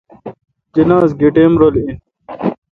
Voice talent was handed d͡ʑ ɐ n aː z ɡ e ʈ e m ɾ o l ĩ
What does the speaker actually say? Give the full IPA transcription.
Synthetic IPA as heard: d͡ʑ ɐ n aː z ɡ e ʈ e m ɾ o l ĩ